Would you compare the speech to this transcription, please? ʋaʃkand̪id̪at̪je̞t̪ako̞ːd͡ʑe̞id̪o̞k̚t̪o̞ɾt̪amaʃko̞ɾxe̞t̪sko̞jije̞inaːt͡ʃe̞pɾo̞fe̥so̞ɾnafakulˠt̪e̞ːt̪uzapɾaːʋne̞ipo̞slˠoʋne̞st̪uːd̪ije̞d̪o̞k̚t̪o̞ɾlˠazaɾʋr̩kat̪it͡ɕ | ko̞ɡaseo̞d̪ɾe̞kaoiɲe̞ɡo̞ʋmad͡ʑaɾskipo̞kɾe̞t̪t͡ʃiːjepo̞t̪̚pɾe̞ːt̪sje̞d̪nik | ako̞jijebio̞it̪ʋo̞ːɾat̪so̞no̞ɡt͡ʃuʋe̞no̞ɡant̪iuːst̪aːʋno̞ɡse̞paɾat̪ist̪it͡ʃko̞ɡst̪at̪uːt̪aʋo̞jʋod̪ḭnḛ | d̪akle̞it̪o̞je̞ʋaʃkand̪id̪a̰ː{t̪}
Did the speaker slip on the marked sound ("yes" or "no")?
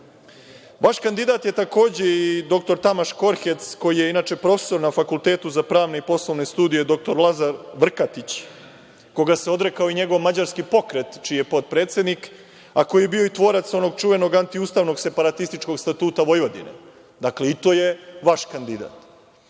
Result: no